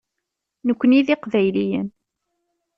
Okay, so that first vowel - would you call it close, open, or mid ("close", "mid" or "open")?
mid